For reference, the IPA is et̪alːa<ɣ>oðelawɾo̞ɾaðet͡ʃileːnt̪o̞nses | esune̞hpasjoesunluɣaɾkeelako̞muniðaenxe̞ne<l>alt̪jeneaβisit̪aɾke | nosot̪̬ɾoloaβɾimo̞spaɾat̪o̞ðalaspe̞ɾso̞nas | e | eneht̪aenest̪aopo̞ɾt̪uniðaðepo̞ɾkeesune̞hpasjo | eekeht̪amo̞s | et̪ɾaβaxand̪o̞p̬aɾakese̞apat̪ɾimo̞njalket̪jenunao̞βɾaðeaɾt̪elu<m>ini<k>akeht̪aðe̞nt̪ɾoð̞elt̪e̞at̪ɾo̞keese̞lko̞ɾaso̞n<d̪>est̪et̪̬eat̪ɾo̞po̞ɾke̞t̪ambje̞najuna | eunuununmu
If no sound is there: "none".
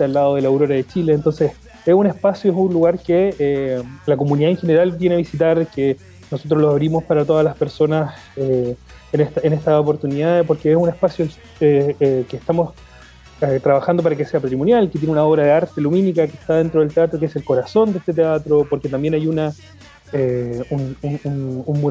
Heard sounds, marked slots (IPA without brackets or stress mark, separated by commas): ð, ɾ, m, k, d̪